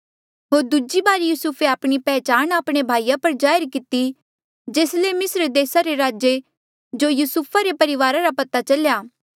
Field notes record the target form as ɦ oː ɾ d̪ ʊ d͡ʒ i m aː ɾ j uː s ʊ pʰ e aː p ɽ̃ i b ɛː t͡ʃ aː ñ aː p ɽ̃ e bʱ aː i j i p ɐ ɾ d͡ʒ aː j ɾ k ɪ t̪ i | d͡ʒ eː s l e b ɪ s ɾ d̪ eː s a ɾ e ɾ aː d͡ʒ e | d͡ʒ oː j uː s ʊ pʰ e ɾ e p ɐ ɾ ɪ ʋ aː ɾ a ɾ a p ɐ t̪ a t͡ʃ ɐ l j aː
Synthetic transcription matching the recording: ɦ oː ɾ d̪ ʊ d͡ʒ i b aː ɾ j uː s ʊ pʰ e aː p ɽ̃ i p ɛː t͡ʃ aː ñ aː p ɽ̃ e bʱ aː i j a p ɐ ɾ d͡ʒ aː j ɾ k ɪ t̪ i | d͡ʒ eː s l e m ɪ s ɾ d̪ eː s a ɾ e ɾ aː d͡ʒ e | d͡ʒ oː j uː s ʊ pʰ a ɾ e p ɐ ɾ ɪ ʋ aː ɾ a ɾ a p ɐ t̪ a t͡ʃ ɐ l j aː